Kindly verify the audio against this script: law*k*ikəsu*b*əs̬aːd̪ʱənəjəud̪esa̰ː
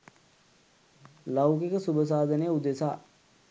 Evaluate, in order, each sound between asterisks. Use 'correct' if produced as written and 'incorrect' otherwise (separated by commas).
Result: correct, correct